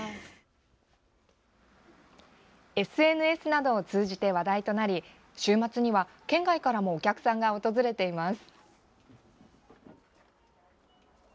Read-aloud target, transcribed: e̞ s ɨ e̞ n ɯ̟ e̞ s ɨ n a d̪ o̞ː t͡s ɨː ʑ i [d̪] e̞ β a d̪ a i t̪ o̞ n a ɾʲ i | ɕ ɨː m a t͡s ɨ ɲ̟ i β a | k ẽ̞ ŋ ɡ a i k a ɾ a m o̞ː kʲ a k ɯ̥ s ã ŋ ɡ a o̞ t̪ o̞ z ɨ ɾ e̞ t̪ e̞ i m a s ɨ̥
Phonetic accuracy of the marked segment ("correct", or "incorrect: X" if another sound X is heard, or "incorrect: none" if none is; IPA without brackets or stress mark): incorrect: t̪